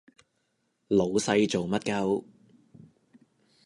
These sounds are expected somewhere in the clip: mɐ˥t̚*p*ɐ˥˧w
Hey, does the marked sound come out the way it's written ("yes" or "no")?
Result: no